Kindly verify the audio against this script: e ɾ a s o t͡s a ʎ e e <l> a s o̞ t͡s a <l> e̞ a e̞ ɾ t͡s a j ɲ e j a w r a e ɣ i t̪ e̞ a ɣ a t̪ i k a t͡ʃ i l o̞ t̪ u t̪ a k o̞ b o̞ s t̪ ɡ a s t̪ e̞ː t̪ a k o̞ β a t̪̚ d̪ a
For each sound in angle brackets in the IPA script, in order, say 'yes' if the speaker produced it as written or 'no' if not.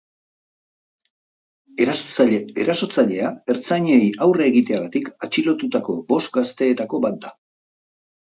no, no

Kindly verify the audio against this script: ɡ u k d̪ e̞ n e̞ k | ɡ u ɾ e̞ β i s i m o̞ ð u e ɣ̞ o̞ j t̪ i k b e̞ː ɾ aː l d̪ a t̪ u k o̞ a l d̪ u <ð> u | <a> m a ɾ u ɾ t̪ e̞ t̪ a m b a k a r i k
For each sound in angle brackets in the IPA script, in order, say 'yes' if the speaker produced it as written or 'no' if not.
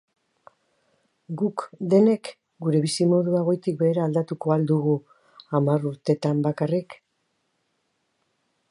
no, yes

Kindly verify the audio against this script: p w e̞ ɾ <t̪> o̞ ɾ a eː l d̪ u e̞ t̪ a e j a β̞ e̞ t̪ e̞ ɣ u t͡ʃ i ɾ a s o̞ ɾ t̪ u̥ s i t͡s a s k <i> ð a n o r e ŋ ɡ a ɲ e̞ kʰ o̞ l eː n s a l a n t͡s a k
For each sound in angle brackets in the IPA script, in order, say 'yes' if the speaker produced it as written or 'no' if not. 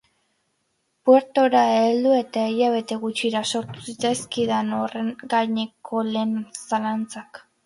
yes, yes

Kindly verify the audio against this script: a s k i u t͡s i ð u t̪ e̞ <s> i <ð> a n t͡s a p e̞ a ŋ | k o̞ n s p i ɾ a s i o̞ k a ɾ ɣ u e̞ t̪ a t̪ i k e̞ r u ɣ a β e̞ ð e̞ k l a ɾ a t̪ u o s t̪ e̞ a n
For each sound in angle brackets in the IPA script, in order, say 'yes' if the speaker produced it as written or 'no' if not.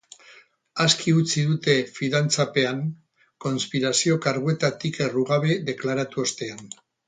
no, yes

